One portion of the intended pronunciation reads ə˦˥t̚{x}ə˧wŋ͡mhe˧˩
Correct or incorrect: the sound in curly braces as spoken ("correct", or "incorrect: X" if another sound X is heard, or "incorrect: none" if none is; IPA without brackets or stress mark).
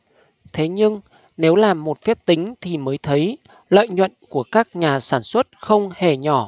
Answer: correct